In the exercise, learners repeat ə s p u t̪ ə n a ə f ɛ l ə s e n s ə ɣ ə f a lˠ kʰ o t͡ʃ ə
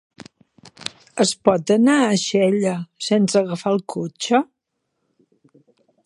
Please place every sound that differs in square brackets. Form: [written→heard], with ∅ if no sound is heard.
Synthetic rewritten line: ə s p [u→ɔ] t̪ ə n a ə [f→ʃ] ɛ [l→ʎ] ə s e n s ə ɣ ə f a lˠ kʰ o t͡ʃ ə